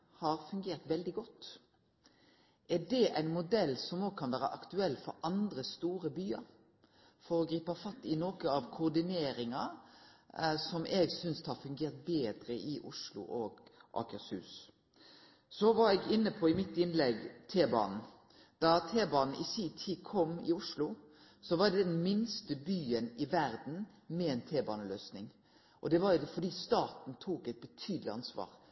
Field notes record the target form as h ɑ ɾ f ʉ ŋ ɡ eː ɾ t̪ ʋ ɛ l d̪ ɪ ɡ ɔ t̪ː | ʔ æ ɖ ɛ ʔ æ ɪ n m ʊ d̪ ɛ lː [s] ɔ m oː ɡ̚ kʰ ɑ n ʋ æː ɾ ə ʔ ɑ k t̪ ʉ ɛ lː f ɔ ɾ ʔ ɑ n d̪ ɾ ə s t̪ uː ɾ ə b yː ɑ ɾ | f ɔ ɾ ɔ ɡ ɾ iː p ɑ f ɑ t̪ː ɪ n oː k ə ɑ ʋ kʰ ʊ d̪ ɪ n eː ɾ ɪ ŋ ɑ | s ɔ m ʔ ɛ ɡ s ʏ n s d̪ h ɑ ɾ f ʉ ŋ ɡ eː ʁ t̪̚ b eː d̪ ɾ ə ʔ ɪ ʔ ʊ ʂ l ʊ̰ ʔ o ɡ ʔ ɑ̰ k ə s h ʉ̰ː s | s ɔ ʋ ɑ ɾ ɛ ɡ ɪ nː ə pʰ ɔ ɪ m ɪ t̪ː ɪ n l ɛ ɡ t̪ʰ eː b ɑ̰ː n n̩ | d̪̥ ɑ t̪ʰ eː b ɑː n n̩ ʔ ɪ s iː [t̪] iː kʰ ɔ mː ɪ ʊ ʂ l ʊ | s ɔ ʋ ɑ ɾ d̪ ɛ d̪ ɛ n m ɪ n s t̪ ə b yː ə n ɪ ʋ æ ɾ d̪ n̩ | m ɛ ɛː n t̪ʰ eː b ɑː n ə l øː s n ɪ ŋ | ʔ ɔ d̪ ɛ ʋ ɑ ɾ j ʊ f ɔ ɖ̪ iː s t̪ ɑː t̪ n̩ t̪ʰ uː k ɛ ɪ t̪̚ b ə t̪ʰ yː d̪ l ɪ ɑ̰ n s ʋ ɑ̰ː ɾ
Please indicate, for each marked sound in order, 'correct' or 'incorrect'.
correct, incorrect: t̪ʰ

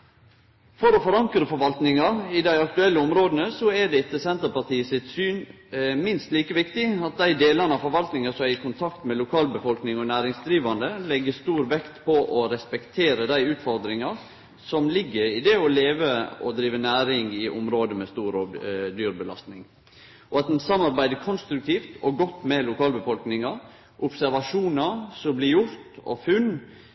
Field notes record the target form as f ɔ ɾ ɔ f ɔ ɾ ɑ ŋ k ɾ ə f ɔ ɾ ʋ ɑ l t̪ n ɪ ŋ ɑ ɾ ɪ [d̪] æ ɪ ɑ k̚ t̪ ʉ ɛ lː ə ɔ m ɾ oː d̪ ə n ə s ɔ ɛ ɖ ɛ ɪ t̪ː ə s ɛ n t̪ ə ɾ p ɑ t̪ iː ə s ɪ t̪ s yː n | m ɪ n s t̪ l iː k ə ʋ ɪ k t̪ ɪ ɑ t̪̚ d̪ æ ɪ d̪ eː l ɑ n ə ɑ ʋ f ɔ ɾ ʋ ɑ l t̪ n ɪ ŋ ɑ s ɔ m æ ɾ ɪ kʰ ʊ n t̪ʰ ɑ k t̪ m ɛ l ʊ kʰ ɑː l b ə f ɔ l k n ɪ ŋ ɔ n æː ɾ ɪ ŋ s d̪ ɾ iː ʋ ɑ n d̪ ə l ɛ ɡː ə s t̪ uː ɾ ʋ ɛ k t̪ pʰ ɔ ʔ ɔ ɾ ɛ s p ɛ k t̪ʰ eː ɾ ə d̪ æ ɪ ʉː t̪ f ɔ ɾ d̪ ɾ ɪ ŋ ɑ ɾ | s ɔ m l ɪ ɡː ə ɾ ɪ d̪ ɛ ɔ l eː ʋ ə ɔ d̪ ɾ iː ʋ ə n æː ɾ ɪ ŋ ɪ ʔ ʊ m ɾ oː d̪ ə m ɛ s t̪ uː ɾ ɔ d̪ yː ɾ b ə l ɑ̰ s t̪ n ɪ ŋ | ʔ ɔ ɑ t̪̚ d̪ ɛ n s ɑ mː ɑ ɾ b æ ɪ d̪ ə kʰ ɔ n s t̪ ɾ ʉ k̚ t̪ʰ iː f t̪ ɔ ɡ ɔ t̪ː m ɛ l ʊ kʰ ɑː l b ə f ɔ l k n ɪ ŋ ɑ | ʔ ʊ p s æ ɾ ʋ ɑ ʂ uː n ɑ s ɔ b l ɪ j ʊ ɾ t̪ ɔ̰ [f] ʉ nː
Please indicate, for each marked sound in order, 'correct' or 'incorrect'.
correct, correct

